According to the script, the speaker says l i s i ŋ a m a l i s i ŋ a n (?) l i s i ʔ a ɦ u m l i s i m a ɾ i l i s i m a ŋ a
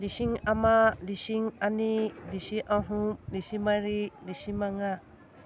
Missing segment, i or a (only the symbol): i